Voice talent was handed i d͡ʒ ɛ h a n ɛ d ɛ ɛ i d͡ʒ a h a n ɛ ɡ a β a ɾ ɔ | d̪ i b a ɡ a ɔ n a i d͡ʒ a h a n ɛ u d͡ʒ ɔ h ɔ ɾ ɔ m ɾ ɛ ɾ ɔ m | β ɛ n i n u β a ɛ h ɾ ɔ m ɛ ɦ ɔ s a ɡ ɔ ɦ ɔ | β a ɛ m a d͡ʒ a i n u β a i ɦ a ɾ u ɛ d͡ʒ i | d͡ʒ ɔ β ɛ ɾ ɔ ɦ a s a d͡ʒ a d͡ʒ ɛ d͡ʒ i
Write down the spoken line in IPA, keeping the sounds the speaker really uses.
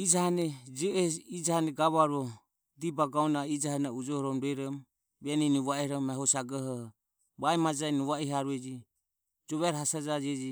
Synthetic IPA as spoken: i d͡ʒ a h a n ɛ d͡ʒ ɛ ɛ i d͡ʒ a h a n ɛ ɡ a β a ɾ ɔ | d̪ i b a ɡ a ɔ n a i d͡ʒ a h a n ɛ u d͡ʒ ɔ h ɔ ɾ ɔ m ɾ ɛ ɾ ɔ m | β ɛ n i n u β a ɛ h ɾ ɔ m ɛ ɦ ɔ s a ɡ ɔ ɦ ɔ | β a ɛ m a d͡ʒ a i n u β a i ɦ a ɾ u ɛ d͡ʒ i | d͡ʒ ɔ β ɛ ɾ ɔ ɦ a s a d͡ʒ a d͡ʒ ɛ d͡ʒ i